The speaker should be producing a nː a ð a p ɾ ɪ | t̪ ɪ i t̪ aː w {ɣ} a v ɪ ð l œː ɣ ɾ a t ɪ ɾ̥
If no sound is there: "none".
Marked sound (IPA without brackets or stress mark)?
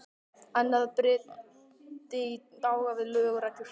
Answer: ɣ